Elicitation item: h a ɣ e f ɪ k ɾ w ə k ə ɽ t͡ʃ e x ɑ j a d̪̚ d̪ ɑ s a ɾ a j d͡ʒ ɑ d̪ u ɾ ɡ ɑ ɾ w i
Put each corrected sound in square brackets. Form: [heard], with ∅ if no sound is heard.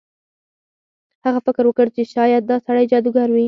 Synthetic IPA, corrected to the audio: h a ɣ [a] f ɪ k ɾ w ə k ə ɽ t͡ʃ e [ʃ] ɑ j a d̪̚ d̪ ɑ s a [ɽ] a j d͡ʒ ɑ d̪ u [∅] ɡ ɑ ɾ w i